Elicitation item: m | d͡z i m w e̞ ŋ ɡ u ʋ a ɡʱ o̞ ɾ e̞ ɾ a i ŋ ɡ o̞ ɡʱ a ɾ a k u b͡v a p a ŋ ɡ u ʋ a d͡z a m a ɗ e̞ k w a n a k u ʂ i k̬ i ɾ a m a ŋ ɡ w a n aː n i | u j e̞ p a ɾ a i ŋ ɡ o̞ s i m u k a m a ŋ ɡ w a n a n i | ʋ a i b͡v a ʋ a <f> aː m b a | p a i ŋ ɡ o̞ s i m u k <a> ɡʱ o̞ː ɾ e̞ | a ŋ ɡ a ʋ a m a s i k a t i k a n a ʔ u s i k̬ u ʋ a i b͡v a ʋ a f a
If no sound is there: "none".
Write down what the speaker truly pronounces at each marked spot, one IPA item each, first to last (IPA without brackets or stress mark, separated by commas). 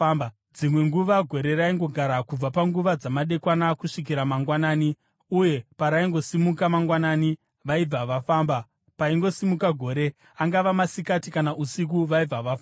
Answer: f, a